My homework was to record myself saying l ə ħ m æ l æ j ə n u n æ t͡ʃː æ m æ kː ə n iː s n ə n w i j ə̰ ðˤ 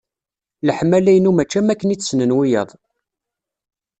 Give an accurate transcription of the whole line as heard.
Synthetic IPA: l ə ħ m æ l æ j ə n u m æ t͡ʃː æ m æ kː ə n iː s n ə n w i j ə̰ ðˤ